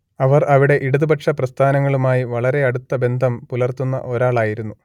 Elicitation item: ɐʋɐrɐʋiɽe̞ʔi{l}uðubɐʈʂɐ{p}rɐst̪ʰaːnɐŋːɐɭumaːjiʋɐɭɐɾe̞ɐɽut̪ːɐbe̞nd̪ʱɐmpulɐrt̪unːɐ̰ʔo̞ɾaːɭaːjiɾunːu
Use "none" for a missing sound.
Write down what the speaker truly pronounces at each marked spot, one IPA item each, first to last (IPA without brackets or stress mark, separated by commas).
ɽ, p